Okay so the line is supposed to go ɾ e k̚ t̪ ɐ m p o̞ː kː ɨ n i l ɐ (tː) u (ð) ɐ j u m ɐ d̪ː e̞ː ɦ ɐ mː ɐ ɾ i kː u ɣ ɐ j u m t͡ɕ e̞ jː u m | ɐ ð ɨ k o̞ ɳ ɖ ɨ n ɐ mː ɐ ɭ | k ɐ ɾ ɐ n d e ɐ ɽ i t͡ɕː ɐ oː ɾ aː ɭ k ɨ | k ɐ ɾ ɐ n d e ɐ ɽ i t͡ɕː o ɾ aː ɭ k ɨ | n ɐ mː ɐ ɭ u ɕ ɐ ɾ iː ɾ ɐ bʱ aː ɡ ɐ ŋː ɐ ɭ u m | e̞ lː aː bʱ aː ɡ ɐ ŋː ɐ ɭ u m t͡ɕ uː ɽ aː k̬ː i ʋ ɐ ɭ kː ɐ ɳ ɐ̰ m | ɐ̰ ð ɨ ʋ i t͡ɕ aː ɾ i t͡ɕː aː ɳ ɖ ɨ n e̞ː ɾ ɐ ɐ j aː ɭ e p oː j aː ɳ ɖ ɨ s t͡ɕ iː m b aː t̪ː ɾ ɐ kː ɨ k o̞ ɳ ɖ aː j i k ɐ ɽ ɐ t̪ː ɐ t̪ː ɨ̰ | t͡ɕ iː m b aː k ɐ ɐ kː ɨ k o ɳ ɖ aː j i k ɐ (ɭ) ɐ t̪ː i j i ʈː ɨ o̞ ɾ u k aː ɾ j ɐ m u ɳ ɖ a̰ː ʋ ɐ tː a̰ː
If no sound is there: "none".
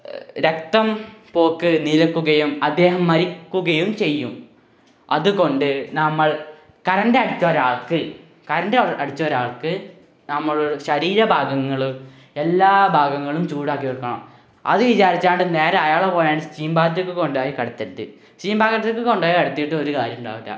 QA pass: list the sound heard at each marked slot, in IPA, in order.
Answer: kː, ɣ, ɽ

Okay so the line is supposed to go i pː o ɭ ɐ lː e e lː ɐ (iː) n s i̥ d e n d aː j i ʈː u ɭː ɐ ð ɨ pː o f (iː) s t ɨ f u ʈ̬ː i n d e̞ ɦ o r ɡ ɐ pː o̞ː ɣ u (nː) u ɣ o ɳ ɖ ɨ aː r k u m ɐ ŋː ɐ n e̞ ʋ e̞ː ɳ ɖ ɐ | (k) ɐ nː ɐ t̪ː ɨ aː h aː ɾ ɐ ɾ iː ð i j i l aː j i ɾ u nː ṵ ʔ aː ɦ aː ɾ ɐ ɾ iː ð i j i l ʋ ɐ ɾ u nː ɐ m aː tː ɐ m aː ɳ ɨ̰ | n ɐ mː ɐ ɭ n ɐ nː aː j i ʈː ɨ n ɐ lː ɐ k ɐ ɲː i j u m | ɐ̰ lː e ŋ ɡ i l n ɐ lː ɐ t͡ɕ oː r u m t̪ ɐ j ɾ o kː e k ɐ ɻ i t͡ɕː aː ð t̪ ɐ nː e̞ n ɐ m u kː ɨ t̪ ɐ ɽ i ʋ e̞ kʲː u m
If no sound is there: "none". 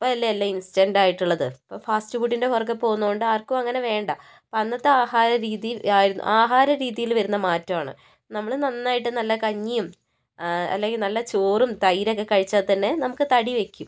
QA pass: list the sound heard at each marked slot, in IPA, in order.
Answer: i, aː, nː, p

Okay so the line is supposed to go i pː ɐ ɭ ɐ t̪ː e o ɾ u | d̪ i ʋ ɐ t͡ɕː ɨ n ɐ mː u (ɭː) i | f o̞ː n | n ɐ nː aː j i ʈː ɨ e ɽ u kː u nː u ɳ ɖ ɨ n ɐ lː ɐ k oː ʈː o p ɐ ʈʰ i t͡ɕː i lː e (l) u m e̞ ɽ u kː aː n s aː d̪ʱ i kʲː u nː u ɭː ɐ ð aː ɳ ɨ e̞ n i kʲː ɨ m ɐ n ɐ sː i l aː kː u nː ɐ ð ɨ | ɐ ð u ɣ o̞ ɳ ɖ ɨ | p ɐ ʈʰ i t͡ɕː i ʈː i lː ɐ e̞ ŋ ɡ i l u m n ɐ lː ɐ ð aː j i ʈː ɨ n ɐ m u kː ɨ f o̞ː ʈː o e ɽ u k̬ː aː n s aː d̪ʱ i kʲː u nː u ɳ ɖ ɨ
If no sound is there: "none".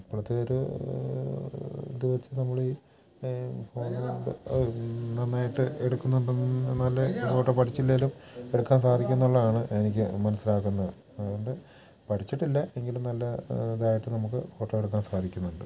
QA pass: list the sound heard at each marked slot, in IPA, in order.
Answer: ɭ, l

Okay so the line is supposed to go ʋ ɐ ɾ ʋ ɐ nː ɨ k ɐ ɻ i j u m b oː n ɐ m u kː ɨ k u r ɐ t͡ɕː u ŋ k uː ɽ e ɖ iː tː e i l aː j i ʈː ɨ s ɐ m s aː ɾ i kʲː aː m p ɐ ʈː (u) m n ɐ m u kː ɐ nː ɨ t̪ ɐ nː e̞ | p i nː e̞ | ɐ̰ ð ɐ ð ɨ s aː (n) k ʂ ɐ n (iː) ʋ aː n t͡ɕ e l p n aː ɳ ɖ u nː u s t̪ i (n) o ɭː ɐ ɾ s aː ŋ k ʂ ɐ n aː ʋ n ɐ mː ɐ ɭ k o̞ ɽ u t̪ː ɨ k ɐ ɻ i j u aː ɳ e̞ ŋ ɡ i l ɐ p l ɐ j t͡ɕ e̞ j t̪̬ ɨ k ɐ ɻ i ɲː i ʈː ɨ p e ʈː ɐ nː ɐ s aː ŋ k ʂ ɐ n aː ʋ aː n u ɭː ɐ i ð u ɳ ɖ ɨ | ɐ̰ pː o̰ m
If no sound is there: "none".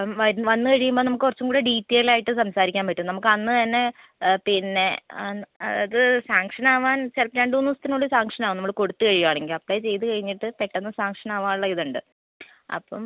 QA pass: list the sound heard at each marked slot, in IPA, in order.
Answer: u, ŋ, aː, n

